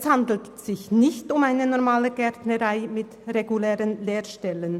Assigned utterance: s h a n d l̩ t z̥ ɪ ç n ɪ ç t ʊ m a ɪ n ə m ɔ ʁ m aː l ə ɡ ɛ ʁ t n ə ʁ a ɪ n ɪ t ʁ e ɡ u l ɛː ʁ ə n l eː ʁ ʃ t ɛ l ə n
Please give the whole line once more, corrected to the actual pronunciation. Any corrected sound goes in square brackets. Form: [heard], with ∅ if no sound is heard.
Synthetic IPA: s h a n d l̩ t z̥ ɪ ç n ɪ ç t ʊ m a ɪ n ə [n] ɔ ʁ m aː l ə ɡ ɛ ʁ t n ə ʁ a ɪ [m] ɪ t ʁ e ɡ u l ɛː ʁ ə n l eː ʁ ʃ t ɛ l ə n